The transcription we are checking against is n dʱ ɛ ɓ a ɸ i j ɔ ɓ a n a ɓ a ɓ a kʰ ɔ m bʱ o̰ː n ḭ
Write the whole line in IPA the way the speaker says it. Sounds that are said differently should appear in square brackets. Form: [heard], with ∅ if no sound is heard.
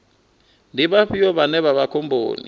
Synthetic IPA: n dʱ [i] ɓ a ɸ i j ɔ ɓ a n [ɛ] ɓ a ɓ a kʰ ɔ m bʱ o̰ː n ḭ